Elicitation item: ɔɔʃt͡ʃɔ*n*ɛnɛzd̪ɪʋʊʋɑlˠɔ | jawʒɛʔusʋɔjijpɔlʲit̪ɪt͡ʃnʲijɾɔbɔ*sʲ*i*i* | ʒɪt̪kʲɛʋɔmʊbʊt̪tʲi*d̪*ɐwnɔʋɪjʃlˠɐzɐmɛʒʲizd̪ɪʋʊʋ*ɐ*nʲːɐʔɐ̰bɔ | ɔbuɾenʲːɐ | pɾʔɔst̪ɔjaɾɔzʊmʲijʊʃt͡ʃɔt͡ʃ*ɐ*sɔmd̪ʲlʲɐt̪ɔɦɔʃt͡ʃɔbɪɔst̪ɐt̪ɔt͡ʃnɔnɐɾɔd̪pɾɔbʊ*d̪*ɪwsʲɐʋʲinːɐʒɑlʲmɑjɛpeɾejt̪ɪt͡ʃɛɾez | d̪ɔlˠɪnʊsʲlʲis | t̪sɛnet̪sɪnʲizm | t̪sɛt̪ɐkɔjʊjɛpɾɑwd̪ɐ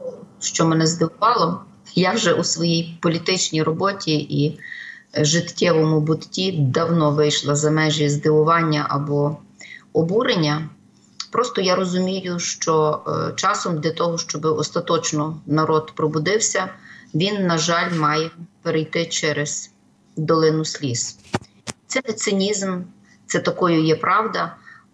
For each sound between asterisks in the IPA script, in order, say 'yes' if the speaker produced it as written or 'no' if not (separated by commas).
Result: no, no, yes, yes, no, no, yes